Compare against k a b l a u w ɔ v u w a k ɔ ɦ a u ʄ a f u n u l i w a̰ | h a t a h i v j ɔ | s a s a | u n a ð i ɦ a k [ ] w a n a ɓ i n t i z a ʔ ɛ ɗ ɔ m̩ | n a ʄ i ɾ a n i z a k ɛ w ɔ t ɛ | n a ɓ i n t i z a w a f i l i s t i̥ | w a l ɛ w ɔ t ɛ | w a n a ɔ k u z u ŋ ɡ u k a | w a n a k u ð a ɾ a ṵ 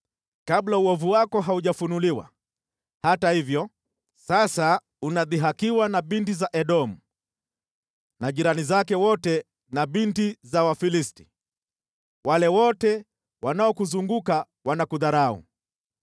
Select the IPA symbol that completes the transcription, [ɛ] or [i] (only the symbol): i